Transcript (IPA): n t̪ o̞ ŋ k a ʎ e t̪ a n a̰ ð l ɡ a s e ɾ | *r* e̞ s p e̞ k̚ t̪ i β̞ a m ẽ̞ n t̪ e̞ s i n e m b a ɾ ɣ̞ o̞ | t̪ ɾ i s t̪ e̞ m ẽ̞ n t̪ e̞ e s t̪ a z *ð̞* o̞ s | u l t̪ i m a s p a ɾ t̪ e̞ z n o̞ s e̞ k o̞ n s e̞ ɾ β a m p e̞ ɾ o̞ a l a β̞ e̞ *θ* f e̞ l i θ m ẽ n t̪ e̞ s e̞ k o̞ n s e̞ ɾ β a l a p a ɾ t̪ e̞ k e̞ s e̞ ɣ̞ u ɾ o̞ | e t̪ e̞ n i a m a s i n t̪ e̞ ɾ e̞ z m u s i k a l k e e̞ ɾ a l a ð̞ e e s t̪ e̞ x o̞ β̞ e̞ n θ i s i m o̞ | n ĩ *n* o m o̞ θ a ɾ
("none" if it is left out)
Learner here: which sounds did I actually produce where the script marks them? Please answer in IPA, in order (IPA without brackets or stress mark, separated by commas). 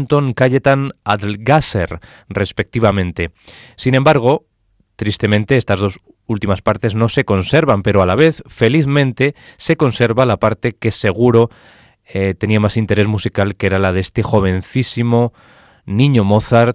r, ð̞, θ, ɲ